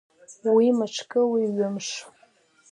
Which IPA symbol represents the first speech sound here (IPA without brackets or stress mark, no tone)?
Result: w